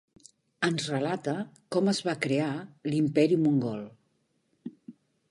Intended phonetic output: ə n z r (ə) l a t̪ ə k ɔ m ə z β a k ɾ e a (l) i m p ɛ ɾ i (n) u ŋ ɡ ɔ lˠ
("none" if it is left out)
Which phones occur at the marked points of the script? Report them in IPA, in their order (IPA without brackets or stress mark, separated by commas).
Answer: ə, l, m